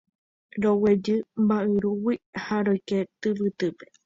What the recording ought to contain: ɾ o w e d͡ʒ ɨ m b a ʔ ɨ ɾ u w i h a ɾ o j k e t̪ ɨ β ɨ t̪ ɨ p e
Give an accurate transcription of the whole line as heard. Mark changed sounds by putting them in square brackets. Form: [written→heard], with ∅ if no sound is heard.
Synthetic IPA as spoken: ɾ o w e d͡ʒ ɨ m b a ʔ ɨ ɾ u w i h a ɾ o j k e t̪ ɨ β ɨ t̪ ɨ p e